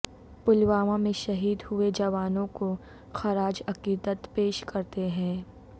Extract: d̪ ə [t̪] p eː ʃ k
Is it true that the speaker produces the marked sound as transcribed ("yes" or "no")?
yes